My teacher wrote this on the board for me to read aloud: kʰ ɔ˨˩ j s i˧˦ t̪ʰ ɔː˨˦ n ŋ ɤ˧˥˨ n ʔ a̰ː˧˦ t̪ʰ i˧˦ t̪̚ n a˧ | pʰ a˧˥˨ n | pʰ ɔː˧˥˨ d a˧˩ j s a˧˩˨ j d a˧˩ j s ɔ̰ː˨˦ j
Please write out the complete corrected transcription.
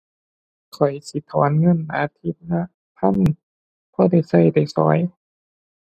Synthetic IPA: kʰ ɔ˨˩ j s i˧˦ t̪ʰ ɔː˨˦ n ŋ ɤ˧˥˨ n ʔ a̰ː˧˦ t̪ʰ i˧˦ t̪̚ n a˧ | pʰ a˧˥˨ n | pʰ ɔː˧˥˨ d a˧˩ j s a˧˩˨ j d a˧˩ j s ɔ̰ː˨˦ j